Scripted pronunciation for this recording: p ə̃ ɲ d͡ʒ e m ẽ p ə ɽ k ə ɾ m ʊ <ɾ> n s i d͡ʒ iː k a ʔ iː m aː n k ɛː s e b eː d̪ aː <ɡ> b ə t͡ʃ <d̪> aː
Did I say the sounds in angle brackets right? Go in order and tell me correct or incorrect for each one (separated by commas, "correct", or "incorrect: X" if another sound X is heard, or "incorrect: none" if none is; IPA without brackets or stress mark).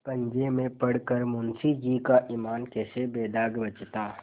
incorrect: none, correct, incorrect: t̪